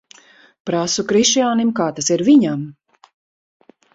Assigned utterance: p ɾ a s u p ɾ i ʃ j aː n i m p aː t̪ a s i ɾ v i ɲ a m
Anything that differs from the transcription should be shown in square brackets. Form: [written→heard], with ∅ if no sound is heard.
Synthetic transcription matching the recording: p ɾ a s u [p→k] ɾ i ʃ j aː n i m [p→k] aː t̪ a s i ɾ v i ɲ a m